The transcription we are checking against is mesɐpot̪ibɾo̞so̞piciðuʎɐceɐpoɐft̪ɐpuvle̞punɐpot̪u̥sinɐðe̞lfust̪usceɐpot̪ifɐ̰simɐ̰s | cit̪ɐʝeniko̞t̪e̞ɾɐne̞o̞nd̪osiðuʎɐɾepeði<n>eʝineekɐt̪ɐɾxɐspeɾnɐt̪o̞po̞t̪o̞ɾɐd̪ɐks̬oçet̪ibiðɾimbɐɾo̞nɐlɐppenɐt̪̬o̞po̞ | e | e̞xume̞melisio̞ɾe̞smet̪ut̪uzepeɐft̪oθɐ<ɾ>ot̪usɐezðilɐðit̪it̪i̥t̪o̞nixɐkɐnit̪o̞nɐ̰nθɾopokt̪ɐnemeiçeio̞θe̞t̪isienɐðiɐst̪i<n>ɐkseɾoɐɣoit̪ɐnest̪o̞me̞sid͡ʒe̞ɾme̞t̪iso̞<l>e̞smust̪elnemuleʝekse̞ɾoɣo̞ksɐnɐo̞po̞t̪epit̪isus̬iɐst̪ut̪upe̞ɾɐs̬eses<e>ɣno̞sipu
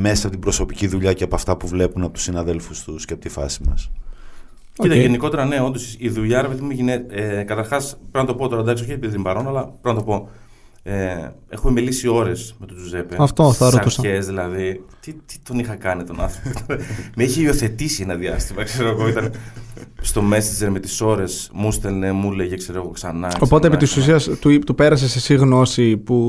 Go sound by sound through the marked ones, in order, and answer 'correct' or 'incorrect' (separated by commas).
incorrect, correct, incorrect, incorrect, incorrect